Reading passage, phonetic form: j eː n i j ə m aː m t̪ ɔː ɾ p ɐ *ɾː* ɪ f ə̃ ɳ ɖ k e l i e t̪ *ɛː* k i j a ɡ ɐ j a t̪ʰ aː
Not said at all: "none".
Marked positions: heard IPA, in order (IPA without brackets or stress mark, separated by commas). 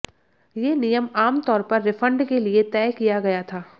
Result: ɾː, ɛː